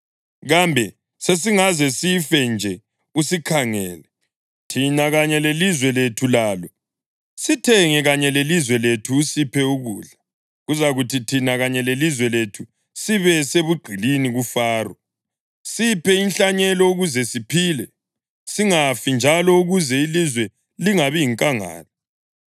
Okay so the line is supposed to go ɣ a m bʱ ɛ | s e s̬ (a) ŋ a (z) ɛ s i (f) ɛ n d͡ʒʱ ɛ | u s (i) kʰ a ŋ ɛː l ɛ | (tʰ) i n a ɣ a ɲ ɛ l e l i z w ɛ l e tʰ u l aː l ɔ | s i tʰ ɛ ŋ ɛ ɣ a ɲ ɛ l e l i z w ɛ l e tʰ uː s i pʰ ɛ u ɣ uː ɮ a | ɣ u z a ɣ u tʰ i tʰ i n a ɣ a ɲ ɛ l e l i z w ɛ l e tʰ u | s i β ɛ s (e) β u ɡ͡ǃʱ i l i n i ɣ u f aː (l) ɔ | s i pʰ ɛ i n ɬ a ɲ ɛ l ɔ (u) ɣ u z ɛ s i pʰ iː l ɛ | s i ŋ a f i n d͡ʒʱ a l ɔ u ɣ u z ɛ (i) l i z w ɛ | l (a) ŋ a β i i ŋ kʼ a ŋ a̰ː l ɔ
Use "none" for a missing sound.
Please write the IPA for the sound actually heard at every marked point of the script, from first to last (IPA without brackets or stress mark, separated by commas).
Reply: i, z, f, i, tʰ, e, r, u, i, i